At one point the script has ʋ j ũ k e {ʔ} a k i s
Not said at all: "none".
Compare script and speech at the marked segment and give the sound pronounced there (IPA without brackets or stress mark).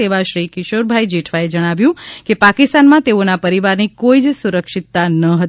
p